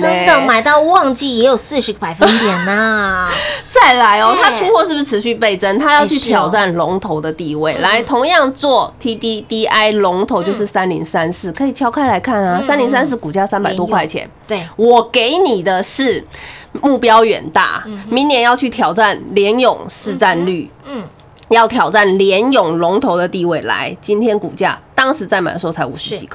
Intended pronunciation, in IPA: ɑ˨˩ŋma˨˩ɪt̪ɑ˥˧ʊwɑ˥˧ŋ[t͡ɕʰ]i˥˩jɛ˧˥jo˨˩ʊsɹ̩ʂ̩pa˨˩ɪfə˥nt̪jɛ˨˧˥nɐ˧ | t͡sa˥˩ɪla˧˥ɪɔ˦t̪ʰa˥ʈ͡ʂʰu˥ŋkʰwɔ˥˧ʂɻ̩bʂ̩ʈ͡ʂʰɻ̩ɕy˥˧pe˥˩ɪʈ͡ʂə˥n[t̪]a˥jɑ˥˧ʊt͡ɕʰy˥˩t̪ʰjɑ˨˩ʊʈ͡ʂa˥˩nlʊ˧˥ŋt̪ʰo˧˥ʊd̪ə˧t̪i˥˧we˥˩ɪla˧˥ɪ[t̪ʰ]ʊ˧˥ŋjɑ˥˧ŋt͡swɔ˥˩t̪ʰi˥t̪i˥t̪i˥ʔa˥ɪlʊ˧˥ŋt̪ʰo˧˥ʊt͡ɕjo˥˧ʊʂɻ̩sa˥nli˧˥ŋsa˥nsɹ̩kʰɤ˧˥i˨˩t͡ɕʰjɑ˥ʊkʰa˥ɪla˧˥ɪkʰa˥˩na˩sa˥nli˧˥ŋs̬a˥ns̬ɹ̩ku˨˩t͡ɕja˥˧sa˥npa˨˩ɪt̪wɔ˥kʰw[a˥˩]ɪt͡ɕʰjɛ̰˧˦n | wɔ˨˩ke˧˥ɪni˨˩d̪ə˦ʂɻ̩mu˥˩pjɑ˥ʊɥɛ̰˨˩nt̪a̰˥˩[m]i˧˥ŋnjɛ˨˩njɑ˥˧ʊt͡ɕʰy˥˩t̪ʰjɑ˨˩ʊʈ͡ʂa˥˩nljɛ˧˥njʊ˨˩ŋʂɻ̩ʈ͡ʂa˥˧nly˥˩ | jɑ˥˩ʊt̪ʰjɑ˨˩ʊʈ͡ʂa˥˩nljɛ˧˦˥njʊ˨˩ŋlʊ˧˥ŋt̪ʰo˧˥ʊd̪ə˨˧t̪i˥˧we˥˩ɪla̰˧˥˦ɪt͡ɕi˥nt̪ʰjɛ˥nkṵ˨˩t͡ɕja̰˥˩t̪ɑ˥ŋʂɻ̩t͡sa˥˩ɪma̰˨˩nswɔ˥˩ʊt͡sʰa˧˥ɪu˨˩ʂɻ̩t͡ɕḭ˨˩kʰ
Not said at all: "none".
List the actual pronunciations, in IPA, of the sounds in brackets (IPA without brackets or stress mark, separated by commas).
t͡ɕ, t̪ʰ, t̪ʰ, a˥˩, m